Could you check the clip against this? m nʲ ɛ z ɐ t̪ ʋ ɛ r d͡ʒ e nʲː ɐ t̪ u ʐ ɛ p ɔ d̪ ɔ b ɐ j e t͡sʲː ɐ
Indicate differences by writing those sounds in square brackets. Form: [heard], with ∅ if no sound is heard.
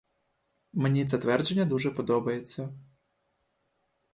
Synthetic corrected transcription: m nʲ [i] z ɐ t̪ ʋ ɛ r d͡ʒ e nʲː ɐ [d̪] u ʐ ɛ p ɔ d̪ ɔ b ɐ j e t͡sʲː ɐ